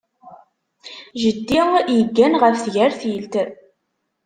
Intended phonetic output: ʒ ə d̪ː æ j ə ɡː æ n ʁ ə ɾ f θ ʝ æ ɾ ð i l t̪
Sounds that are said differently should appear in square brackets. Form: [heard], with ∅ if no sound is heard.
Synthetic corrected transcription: ʒ ə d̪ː [i] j ə ɡː æ n ʁ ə [∅] f θ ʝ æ ɾ [θ] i l t̪